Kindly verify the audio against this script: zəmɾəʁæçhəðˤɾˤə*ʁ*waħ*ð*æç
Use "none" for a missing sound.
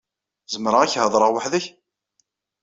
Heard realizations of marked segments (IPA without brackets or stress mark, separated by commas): ʁ, ð